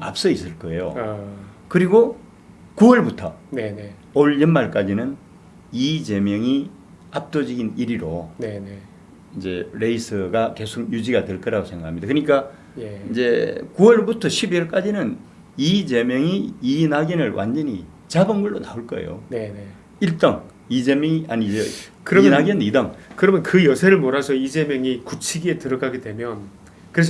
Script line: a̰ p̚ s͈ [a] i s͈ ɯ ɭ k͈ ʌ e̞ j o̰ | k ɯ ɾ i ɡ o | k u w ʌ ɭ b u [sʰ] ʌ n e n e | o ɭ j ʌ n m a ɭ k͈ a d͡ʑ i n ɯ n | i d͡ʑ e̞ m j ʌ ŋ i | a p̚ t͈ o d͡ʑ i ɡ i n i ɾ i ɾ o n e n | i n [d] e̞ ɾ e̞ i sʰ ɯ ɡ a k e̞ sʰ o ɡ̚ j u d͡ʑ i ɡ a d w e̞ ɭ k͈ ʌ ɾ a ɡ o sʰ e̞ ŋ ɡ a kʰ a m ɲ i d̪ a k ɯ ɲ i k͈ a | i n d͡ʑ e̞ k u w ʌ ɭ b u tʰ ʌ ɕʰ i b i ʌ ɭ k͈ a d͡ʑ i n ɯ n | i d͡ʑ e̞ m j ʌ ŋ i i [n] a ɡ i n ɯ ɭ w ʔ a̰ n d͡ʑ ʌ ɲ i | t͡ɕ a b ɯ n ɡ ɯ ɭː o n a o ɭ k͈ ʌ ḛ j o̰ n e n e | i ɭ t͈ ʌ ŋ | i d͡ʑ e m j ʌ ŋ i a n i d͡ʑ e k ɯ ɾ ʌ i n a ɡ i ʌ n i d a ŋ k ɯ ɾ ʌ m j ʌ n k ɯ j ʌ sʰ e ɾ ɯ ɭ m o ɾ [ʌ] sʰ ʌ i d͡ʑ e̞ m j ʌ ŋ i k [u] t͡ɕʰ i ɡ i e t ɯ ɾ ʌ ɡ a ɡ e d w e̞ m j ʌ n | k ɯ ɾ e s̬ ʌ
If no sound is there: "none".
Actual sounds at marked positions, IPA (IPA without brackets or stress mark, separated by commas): ʌ, tʰ, d͡ʑ, n, a, u